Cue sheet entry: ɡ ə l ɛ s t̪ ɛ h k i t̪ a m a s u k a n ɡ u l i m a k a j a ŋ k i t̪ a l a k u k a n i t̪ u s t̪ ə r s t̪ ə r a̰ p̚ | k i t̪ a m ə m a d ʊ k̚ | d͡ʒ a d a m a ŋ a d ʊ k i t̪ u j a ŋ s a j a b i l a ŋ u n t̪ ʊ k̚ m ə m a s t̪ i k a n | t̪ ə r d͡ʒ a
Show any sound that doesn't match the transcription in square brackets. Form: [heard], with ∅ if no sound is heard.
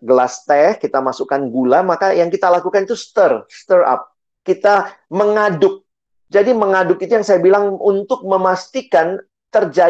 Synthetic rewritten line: ɡ ə l [a] s t̪ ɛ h k i t̪ a m a s u k a n ɡ u l [a] m a k a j a ŋ k i t̪ a l a k u k a n i t̪ u s t̪ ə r s t̪ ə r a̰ p̚ | k i t̪ a m ə [ŋ] a d ʊ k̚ | d͡ʒ a d [i] m [ə] ŋ a d ʊ k i t̪ u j a ŋ s a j a b i l a ŋ u n t̪ ʊ k̚ m ə m a s t̪ i k a n | t̪ ə r d͡ʒ a